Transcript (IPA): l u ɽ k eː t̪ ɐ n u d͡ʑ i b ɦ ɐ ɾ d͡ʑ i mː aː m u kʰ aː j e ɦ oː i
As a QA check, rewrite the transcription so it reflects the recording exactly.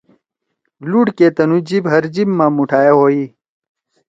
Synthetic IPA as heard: l u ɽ k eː t̪ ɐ n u d͡ʑ i b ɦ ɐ ɾ d͡ʑ i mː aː m u ʈʰ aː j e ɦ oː i

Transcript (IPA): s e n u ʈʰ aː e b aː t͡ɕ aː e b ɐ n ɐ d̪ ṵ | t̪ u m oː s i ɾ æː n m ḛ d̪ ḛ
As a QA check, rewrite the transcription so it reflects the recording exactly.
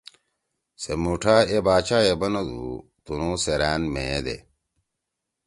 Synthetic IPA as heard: s e m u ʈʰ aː e b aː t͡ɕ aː e b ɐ n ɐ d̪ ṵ | t̪ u n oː s e ɾ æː n m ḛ d̪ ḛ

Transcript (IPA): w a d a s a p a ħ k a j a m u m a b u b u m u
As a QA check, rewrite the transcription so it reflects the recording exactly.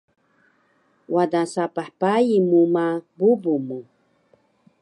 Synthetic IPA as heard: w a d a s a p a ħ p a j i m u m a b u b u m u

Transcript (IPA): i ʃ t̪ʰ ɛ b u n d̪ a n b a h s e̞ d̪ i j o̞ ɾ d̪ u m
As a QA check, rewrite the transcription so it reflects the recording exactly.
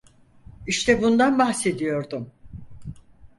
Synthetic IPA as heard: i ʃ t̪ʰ ɛ b u n d̪ a n b a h s e̞ d̪ i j o̞ ɾ d̪ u m

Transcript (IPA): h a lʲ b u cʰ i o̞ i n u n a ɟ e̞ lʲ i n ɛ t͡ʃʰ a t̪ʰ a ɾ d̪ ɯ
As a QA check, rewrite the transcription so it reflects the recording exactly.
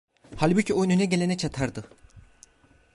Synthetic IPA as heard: h a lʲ b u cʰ i o̞ j n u n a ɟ e̞ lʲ e n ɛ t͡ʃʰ a t̪ʰ a ɾ d̪ ɯ

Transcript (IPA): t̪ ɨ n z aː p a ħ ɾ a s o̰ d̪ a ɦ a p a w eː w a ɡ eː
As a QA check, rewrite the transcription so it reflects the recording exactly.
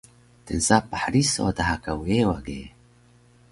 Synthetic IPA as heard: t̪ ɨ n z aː p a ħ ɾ i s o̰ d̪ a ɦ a k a w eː w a ɡ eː

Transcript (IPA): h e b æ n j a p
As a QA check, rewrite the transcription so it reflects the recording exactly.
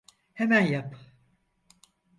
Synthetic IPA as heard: h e m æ n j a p

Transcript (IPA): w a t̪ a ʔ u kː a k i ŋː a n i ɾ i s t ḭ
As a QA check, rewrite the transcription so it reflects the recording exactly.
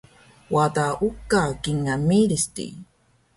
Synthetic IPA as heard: w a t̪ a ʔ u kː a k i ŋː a m i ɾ i s t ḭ

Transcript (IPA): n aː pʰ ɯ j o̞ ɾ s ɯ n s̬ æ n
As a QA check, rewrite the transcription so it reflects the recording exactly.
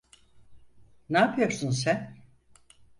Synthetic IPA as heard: n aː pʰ ɯ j o̞ ɾ s u n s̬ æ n

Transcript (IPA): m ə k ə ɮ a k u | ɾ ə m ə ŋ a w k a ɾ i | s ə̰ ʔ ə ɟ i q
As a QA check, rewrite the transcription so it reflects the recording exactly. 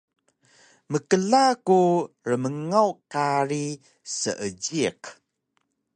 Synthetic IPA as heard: m ə k ə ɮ a k u | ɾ ə m ə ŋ a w k a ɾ i | s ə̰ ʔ ə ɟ i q

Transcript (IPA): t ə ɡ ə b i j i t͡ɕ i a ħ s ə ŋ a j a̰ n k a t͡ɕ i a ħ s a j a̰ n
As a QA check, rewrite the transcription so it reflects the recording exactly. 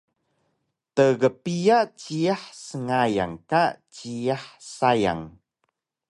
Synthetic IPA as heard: t ə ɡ ə p i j a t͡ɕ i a ħ s ə ŋ a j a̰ ŋ k a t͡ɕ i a ħ s a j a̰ ŋ

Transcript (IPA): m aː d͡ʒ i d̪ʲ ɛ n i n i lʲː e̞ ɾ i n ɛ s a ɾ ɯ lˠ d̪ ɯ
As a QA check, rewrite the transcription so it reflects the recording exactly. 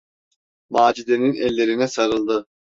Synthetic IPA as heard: m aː d͡ʒ i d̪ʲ e n i n ɛ lʲː e̞ ɾ i n ɛ s a ɾ ɯ lˠ d̪ ɯ

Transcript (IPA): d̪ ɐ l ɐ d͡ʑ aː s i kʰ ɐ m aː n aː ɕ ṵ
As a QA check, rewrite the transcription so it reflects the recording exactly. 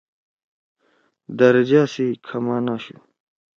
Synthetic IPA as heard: d̪ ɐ ɾ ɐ d͡ʑ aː s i kʰ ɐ m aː n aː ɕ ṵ

